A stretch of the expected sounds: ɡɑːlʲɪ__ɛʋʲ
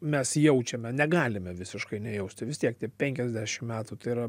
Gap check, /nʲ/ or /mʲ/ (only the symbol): mʲ